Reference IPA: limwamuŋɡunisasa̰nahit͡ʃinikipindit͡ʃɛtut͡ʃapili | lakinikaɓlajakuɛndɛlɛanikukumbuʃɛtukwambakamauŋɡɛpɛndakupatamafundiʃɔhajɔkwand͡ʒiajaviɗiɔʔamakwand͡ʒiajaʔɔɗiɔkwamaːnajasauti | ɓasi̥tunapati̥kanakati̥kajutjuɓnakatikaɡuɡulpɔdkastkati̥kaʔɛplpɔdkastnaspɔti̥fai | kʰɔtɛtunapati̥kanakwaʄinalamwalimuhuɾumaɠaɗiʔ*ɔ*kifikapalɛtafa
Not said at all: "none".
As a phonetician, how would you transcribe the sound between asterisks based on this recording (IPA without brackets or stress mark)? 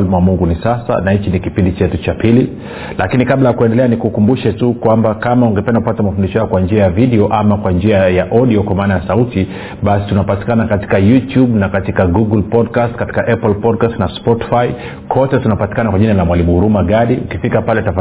u